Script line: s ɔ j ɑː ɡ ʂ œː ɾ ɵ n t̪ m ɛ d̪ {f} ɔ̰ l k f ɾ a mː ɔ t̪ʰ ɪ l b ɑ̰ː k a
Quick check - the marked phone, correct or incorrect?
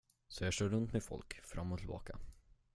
correct